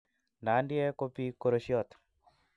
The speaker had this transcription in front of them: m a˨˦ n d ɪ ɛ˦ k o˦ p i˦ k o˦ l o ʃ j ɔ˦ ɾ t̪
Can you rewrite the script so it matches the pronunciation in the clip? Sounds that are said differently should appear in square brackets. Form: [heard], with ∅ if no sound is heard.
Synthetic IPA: [n] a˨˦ n d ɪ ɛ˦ k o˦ p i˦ k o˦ [ɾ] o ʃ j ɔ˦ [∅] t̪